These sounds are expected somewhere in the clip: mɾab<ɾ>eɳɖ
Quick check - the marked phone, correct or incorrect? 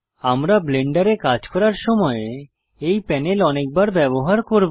incorrect: l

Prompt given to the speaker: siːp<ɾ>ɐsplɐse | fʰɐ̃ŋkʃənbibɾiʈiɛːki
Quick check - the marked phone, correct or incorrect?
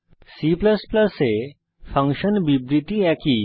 incorrect: l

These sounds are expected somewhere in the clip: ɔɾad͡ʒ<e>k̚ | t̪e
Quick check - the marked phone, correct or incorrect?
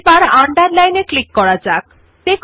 incorrect: a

